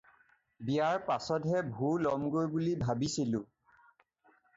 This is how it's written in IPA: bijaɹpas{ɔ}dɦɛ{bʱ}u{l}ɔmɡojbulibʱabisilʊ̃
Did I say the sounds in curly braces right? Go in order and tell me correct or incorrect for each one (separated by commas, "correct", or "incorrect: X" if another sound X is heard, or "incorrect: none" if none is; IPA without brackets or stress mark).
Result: correct, correct, correct